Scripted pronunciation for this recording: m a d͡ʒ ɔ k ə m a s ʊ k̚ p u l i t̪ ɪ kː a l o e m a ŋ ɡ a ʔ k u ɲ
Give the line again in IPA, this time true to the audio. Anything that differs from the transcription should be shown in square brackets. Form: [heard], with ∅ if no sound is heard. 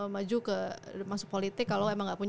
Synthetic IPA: m a d͡ʒ [u] k ə m a s ʊ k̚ p [o] l i t̪ ɪ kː a l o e m a ŋ ɡ a ʔ [p] u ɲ